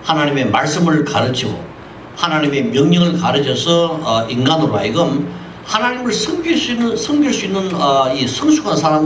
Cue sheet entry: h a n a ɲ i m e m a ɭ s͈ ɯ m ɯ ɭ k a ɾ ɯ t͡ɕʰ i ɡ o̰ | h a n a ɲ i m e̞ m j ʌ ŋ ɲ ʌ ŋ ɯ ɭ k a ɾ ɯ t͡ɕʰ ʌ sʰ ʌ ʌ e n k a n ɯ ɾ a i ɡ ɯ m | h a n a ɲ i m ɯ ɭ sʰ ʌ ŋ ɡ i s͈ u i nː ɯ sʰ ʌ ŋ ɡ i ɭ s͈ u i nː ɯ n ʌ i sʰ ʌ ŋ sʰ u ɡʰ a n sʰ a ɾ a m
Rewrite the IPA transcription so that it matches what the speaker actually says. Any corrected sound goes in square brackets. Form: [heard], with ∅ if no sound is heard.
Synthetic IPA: h a n a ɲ i m e m a ɭ s͈ ɯ m ɯ ɭ k a ɾ ɯ t͡ɕʰ i ɡ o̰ | h a n a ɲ i m e̞ m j ʌ ŋ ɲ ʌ ŋ ɯ ɭ k a ɾ ɯ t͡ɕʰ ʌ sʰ ʌ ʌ [i] n [ɡ] a n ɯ ɾ a i ɡ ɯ m | h a n a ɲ i m ɯ ɭ sʰ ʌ ŋ ɡ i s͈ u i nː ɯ sʰ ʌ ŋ ɡ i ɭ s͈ u i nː ɯ n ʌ i sʰ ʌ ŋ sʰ u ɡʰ a n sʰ a ɾ a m

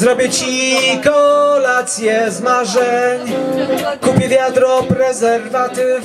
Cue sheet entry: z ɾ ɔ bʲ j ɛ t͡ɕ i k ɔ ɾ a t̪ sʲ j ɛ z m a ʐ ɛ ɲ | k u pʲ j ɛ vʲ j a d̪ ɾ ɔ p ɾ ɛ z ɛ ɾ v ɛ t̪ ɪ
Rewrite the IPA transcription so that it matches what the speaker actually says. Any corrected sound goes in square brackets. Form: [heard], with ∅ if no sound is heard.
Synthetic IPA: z ɾ ɔ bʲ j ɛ t͡ɕ i k ɔ [l] a t̪ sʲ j ɛ z m a ʐ ɛ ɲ | k u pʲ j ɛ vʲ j a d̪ ɾ ɔ p ɾ ɛ z ɛ ɾ v [a] t̪ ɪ

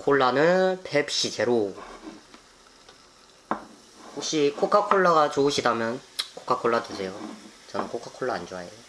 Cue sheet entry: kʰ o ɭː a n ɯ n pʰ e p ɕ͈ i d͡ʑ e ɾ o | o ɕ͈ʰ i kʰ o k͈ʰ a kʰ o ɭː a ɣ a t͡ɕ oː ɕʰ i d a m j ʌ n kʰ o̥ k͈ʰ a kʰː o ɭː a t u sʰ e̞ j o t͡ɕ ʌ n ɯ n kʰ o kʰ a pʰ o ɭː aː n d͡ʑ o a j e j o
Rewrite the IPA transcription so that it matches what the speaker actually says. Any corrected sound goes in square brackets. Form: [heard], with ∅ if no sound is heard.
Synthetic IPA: kʰ o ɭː a n ɯ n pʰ e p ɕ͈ i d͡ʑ e ɾ o | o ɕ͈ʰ i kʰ o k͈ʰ a kʰ o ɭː a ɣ a t͡ɕ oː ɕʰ i d a m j ʌ n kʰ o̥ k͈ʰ a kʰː o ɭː a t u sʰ e̞ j o t͡ɕ ʌ n ɯ n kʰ o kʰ a [kʰ] o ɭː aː n d͡ʑ o a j e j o

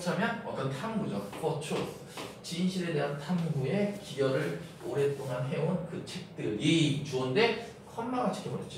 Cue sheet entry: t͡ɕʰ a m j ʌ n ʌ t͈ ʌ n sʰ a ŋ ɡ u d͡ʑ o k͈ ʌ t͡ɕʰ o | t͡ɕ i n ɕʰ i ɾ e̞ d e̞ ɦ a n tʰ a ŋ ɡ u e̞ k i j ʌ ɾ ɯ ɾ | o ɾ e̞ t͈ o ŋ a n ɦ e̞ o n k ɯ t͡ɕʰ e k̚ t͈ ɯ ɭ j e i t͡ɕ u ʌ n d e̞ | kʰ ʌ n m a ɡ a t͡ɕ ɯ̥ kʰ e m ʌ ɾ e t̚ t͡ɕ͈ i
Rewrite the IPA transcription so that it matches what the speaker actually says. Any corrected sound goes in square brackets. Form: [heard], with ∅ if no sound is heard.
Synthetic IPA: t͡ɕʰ a m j ʌ n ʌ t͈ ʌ n [tʰ] a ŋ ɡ u d͡ʑ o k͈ ʌ t͡ɕʰ o | t͡ɕ i n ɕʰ i ɾ e̞ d e̞ ɦ a n tʰ a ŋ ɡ u e̞ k i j ʌ ɾ ɯ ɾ | o ɾ e̞ t͈ o ŋ a n ɦ e̞ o n k ɯ t͡ɕʰ e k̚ t͈ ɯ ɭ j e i t͡ɕ u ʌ n d e̞ | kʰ ʌ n m a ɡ a [t͡ɕʰ] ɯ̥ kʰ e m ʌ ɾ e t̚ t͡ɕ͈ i

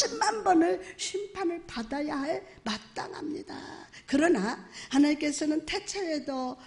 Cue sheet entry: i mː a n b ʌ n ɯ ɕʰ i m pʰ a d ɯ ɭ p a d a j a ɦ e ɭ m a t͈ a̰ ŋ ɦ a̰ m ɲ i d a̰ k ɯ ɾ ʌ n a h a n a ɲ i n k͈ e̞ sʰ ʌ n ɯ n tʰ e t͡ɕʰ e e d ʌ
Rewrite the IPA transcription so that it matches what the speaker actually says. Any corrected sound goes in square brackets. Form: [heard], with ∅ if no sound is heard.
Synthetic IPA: i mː a n b ʌ n ɯ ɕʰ i m pʰ a [n] ɯ ɭ p a d a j a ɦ [a] ɭ m a t͈ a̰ ŋ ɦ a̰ m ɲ i d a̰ k ɯ ɾ ʌ n a h a n a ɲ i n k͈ e̞ sʰ ʌ n ɯ n tʰ e t͡ɕʰ e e d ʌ

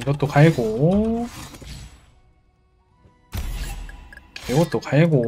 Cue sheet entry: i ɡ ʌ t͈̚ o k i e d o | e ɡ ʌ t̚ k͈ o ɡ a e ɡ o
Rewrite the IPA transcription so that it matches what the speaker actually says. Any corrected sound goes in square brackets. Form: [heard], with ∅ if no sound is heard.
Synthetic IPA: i ɡ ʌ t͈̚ o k [a] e [ɡ] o | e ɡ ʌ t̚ [t͈] o [k] a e ɡ o

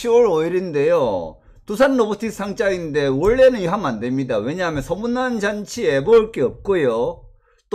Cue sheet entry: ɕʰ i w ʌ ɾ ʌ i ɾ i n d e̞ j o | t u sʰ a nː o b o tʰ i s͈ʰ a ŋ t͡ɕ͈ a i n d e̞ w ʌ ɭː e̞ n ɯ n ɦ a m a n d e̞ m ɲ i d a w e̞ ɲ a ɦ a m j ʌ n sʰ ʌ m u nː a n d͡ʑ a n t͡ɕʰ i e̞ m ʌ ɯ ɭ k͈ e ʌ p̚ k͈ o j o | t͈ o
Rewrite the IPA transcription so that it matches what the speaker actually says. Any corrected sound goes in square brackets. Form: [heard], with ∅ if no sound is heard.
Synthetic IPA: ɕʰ i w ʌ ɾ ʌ i ɾ i n d e̞ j o | t u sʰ a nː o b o tʰ i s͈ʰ a ŋ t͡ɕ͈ a i n d e̞ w ʌ ɭː e̞ n ɯ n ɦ a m a n d e̞ m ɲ i d a w e̞ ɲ a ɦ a m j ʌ n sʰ ʌ m u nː a n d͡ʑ a n t͡ɕʰ i e̞ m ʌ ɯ ɭ k͈ e ʌ p̚ k͈ o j o | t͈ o

